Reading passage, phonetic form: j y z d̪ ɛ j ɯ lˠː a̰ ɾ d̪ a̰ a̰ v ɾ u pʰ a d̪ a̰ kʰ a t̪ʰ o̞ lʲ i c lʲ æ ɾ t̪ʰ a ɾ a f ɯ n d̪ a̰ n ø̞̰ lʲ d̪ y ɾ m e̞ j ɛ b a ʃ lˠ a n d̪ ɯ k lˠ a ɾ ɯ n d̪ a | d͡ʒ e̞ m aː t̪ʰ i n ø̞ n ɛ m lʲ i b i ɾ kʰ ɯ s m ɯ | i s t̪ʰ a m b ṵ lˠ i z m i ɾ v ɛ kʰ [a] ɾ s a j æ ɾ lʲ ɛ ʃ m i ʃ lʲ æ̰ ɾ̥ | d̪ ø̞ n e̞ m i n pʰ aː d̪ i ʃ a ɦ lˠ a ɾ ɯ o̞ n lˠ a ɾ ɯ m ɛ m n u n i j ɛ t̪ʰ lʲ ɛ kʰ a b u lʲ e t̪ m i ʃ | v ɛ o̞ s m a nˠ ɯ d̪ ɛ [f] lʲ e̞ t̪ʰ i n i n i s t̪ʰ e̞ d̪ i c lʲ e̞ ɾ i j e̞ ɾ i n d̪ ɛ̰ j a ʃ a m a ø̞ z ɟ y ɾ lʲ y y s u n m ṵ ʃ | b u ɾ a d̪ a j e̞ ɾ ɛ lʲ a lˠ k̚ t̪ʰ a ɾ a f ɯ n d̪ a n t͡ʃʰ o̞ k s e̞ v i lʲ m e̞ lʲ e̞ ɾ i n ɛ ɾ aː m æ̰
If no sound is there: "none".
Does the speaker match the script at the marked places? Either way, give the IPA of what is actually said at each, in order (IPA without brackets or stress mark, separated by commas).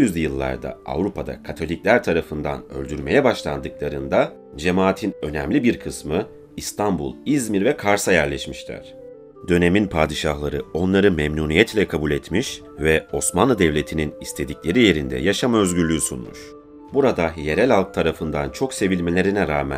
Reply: a, v